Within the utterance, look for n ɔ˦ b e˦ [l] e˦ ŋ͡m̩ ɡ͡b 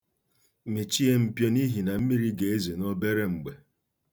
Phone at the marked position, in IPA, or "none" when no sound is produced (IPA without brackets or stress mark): ɾ